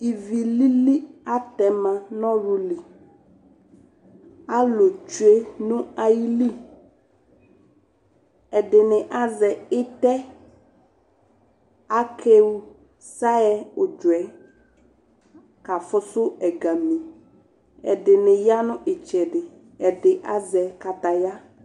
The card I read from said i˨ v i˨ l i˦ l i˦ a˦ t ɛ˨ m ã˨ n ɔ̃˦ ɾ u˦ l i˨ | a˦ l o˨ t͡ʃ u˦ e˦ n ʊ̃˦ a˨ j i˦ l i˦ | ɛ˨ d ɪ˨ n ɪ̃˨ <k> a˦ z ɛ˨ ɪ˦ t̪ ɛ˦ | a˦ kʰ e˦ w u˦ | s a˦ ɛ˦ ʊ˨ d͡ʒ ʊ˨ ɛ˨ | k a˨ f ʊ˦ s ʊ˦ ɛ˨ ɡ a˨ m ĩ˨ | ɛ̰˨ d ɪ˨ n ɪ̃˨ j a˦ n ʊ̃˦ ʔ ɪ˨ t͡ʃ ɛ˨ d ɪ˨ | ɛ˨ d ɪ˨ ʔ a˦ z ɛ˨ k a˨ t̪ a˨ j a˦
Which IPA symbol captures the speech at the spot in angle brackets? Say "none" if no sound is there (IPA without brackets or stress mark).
ʔ